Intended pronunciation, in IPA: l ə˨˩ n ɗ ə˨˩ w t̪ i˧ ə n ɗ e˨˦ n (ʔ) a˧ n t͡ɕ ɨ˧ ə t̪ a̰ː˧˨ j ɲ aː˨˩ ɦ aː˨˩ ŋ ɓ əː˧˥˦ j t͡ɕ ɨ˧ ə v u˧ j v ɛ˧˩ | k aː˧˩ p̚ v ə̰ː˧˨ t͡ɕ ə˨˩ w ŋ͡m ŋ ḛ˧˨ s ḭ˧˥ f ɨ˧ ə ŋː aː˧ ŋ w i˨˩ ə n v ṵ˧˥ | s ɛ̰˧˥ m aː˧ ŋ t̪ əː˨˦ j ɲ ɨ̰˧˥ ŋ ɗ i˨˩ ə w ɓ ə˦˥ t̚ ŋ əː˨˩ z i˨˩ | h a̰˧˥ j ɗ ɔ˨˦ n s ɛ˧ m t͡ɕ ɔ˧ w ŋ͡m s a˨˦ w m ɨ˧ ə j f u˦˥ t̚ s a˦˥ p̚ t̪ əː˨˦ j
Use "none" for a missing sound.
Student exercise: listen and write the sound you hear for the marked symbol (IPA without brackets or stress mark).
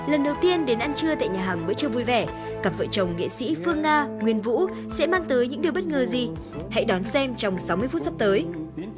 ʔ